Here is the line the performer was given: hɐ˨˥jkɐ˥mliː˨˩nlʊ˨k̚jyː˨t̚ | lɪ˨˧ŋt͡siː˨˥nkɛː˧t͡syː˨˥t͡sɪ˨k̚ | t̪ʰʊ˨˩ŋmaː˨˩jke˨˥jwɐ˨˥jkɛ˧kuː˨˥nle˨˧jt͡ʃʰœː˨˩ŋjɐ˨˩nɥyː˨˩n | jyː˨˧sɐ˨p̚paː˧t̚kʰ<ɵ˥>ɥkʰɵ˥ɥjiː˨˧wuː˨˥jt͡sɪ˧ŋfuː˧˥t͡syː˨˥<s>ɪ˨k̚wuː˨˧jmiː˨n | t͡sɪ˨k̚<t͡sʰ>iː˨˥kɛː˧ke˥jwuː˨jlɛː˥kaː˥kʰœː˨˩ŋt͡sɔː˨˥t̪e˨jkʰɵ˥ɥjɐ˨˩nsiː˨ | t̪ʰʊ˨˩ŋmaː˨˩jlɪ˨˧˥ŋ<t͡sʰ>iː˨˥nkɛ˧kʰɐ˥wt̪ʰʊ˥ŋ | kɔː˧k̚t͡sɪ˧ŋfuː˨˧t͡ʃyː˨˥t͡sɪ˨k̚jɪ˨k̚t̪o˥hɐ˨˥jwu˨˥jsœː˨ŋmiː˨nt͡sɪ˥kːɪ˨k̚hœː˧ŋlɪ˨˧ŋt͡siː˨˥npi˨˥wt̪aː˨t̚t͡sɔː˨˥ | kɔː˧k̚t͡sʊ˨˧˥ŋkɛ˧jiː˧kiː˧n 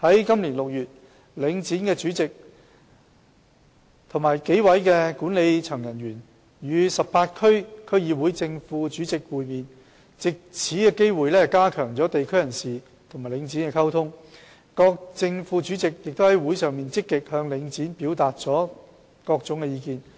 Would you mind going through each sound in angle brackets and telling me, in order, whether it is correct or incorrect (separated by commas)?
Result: correct, incorrect, correct, incorrect